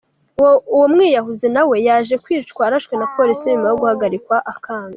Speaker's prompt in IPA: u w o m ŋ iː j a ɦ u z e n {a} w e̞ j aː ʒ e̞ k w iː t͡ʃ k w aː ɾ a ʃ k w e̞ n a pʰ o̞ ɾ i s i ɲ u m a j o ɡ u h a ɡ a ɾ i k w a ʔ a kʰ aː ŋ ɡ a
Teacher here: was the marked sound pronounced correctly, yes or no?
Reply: yes